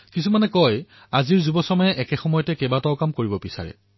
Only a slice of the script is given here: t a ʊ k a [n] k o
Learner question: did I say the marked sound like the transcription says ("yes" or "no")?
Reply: no